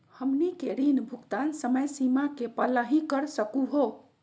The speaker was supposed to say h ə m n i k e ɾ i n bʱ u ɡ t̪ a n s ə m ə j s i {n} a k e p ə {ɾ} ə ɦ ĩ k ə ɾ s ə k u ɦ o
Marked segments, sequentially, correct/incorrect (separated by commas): incorrect, incorrect